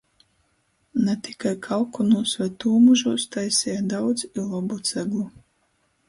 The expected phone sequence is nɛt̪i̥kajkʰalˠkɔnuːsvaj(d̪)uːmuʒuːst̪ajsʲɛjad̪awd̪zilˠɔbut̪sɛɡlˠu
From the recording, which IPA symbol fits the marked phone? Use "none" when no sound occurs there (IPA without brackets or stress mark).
t̪